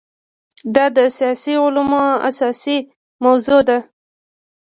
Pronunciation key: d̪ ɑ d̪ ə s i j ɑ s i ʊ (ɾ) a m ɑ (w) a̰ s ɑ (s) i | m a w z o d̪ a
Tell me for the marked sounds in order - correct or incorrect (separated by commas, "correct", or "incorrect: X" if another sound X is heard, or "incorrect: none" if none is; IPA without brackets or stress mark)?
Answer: incorrect: l, incorrect: none, correct